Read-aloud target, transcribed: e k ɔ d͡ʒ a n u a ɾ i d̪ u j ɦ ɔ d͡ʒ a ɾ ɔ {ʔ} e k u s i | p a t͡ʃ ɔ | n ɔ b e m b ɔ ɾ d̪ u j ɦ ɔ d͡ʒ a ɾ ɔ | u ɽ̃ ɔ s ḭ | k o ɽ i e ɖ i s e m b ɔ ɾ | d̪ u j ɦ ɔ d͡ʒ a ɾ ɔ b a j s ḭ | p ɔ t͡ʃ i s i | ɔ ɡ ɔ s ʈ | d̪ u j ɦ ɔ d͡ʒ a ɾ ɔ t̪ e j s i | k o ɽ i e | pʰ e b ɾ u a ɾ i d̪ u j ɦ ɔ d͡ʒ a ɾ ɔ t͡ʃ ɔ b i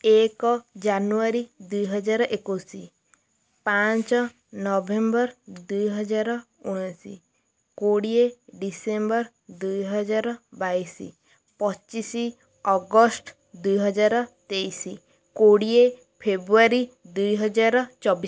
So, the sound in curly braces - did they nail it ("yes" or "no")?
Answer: yes